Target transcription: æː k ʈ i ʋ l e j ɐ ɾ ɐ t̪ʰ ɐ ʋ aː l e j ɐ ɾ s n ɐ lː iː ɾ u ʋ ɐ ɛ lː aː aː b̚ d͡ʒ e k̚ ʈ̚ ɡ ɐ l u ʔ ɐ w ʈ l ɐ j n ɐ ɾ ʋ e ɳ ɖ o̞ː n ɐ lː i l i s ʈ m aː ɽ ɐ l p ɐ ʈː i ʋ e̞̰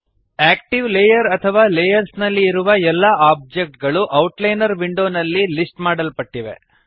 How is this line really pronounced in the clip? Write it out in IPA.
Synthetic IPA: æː k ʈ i ʋ l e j ɐ ɾ ɐ t̪ʰ ɐ ʋ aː l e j ɐ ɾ s n ɐ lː iː ɾ u ʋ ɐ ɛ lː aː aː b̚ d͡ʒ e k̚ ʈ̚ ɡ ɐ ɭ u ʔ ɐ w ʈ l ɐ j n ɐ ɾ ʋ i ɳ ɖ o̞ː n ɐ lː i l i s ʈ m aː ɽ ɐ l p ɐ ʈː i ʋ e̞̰